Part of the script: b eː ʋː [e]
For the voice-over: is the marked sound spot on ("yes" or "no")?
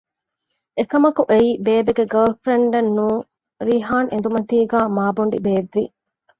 no